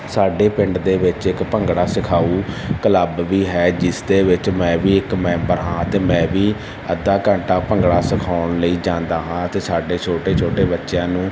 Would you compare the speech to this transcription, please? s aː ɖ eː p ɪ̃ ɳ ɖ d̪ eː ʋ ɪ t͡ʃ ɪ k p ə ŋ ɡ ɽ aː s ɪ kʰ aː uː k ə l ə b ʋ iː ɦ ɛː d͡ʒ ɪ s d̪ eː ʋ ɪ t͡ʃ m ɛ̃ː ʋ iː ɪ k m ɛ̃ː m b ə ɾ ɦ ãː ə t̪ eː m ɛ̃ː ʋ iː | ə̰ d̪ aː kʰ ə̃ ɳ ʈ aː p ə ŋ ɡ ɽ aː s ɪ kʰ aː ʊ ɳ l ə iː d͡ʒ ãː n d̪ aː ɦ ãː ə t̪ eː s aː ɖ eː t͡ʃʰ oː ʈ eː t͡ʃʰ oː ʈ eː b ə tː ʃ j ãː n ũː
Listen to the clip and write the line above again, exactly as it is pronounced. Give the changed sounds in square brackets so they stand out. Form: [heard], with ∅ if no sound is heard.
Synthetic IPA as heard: s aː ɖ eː p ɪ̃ ɳ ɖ d̪ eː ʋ ɪ t͡ʃ ɪ k p ə ŋ ɡ ɽ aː s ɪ kʰ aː uː k ə l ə b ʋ iː ɦ ɛː d͡ʒ ɪ s d̪ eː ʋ ɪ t͡ʃ m ɛ̃ː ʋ iː ɪ k m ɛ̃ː m b ə ɾ ɦ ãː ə t̪ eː m ɛ̃ː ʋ iː | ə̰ d̪ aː [k] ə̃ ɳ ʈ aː p ə ŋ ɡ ɽ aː s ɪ kʰ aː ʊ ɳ l ə iː d͡ʒ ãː n d̪ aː ɦ ãː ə t̪ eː s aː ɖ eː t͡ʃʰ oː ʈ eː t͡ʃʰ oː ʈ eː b ə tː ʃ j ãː n ũː